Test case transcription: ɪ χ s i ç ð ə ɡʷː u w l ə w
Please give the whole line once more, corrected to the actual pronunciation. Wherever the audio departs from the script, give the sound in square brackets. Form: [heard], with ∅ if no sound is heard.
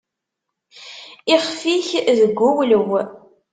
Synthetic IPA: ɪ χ [f] i ç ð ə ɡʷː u w l ə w